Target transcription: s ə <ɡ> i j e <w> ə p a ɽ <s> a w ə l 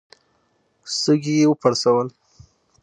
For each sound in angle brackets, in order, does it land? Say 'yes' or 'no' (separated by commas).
yes, yes, yes